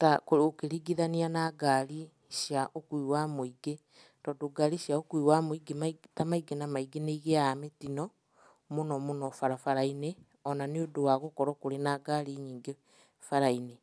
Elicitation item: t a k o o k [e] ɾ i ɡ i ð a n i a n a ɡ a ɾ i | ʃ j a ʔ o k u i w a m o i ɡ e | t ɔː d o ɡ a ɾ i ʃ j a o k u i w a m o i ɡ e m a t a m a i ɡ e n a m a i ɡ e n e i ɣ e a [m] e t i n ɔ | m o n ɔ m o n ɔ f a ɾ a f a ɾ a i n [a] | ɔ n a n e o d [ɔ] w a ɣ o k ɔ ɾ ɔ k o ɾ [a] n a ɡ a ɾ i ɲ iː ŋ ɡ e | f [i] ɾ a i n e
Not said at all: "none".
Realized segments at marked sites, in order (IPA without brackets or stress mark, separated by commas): e, m, e, o, e, a